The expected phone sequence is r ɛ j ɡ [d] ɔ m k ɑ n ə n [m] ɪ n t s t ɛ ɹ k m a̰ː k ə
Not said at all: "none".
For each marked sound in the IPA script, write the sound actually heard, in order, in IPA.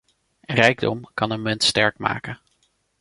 d, m

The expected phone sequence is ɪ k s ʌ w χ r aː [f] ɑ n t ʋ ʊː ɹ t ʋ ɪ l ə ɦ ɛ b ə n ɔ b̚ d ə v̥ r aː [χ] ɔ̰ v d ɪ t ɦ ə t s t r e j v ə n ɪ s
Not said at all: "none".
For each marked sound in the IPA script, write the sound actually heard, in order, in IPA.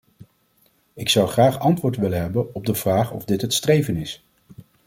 χ, χ

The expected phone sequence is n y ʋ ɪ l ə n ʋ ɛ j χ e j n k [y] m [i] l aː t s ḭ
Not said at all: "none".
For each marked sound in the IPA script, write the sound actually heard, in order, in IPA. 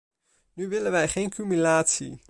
y, y

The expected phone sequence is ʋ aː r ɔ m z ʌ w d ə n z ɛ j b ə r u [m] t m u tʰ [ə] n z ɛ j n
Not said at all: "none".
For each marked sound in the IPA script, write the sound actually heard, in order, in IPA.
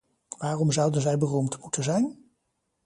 m, ə

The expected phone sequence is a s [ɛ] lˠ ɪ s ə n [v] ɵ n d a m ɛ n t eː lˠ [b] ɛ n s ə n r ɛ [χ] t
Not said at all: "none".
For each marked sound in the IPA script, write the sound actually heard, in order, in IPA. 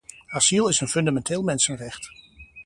i, f, m, χ

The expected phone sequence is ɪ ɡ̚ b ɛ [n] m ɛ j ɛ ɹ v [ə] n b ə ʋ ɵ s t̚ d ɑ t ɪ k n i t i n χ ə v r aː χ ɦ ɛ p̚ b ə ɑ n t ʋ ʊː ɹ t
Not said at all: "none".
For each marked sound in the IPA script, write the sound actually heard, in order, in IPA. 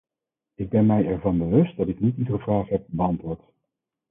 n, ɑ

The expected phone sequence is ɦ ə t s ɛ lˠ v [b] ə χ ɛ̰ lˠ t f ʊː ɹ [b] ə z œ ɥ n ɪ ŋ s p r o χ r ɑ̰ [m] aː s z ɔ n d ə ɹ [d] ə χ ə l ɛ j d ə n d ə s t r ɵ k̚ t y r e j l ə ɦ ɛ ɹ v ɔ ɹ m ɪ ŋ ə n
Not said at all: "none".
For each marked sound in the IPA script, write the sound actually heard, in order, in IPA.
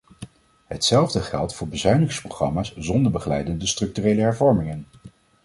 d, b, m, b

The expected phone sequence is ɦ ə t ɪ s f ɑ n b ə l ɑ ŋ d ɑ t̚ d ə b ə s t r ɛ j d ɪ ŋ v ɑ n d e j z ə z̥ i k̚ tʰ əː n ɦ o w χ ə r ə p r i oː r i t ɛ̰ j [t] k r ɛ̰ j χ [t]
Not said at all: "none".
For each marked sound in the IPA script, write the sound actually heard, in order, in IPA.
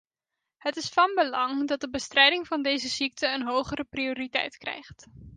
t, t

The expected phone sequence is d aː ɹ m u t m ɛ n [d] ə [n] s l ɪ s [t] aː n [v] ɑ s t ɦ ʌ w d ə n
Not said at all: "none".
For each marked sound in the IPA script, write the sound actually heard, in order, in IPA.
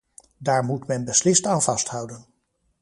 b, none, t, v

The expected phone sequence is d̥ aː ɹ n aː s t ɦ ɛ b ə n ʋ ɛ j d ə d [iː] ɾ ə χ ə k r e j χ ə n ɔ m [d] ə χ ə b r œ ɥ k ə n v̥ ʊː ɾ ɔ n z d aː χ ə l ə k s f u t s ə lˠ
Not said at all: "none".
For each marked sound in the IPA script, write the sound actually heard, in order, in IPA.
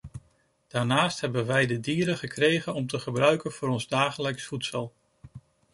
iː, t

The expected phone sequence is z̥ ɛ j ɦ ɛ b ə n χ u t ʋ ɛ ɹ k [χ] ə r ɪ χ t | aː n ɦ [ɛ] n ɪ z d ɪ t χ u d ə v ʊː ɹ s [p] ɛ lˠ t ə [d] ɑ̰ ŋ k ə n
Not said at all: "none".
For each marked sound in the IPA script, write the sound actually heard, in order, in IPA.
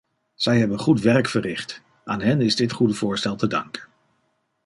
f, ɛ, t, d

